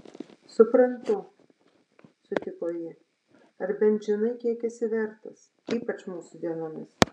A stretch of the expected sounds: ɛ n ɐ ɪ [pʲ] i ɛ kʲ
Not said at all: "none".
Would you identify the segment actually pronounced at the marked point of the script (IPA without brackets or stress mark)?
kʲ